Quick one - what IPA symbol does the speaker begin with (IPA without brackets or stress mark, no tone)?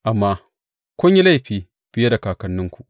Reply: ʔ